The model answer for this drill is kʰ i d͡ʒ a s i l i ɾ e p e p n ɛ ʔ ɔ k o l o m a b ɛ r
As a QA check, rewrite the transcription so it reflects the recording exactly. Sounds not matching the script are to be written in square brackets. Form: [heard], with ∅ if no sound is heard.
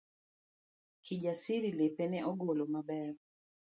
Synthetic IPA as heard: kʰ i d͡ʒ a s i [ɾ] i [l] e p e [∅] n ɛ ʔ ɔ [ɡ] o l o m a b ɛ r